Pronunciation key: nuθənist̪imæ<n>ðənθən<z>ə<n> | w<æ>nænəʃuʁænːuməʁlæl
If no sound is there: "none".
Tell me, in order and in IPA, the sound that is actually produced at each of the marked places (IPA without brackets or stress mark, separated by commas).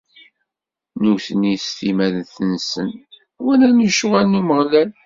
none, s, n, æ